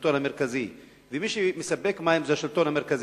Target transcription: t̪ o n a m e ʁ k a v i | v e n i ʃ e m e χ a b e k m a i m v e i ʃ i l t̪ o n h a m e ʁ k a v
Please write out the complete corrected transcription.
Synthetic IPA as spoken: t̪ o n a m e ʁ k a z i | v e m i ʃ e m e s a b e k m a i m z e a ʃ i l t̪ o n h a m e ʁ k a z